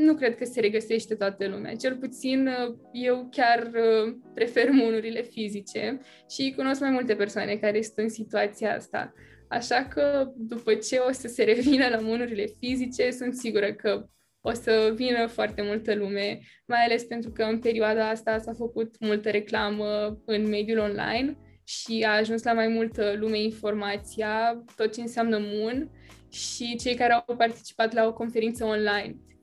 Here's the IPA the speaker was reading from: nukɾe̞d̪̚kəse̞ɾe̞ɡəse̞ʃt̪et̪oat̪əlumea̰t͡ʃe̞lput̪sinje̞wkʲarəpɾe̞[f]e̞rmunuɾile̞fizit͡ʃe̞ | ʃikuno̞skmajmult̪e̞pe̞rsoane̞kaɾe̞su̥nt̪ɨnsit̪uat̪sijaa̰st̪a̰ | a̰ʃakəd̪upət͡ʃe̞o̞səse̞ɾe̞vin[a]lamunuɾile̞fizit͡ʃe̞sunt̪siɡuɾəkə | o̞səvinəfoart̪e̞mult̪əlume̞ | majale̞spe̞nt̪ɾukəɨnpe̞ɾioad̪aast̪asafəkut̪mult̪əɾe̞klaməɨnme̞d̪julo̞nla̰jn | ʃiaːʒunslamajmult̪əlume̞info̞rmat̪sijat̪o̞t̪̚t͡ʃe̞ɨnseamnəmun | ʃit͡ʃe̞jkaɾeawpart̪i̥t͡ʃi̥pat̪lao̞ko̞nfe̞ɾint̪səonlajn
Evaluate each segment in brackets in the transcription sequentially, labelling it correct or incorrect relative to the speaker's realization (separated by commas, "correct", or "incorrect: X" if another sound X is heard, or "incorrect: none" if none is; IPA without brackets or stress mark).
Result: correct, incorrect: ə